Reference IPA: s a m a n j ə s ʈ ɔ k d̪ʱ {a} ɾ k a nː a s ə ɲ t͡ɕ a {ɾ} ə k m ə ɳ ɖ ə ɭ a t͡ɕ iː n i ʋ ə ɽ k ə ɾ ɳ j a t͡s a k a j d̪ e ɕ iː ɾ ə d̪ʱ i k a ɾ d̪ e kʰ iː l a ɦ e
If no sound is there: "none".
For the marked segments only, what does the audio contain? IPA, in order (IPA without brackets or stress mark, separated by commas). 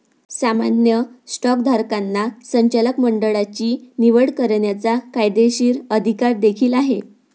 a, l